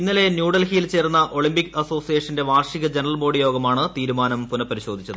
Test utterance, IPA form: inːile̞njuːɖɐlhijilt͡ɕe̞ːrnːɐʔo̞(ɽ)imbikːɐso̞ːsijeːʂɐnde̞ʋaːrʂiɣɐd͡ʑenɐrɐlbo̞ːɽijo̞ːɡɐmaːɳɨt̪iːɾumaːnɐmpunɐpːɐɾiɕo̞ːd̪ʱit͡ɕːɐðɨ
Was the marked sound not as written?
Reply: yes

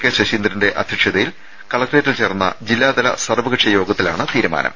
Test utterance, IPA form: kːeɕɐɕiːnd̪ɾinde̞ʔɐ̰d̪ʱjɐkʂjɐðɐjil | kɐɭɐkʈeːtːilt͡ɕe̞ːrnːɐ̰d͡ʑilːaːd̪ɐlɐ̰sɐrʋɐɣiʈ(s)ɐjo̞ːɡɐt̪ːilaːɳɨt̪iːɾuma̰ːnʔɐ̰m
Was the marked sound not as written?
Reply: yes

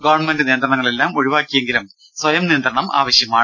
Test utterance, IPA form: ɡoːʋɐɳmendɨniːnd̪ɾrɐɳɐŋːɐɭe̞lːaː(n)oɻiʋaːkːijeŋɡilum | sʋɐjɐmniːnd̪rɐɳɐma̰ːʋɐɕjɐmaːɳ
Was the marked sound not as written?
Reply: yes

